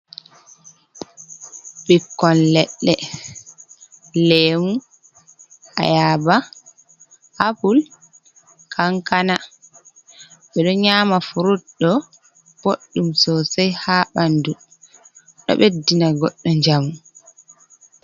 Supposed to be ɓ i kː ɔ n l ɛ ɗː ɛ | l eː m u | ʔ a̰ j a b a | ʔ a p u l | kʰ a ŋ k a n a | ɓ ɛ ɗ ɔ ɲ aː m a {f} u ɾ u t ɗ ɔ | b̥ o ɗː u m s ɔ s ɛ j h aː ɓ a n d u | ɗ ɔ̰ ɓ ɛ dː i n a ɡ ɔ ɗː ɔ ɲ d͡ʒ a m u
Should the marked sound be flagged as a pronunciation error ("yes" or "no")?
no